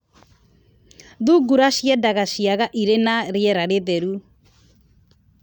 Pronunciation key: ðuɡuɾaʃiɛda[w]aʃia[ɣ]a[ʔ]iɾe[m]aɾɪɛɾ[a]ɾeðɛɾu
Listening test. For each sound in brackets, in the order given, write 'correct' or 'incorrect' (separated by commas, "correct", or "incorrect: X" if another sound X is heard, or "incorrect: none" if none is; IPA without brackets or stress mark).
incorrect: ɣ, correct, correct, incorrect: n, correct